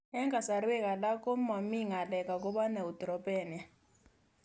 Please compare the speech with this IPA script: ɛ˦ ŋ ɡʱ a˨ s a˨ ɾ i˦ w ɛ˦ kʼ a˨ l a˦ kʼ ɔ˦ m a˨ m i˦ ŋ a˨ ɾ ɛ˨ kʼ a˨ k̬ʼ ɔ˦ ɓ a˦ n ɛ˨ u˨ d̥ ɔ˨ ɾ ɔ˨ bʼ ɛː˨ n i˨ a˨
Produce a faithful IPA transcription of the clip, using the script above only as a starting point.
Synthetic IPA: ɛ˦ ŋ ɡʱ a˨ s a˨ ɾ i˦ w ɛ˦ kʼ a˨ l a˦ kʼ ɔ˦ m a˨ m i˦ ŋ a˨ l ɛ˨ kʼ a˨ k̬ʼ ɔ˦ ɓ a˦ n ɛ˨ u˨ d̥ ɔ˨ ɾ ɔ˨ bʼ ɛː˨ n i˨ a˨